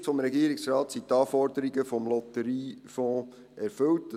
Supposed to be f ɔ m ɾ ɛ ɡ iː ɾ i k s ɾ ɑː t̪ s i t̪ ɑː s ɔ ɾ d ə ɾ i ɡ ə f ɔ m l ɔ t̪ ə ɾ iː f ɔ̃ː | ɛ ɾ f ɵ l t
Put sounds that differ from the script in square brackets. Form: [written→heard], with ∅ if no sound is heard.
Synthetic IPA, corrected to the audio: f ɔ m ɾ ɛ ɡ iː ɾ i k s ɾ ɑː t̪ s i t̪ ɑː [s→f] ɔ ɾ d ə ɾ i ɡ ə f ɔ m l ɔ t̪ ə ɾ iː f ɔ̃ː | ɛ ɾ f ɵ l t